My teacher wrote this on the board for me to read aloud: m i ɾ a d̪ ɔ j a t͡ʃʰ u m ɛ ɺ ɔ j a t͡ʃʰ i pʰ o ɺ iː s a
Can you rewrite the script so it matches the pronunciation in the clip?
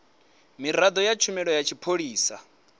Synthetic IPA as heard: m i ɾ a d̪ ɔ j a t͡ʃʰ u m ɛ ɺ ɔ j a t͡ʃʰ i pʰ o ɺ iː s a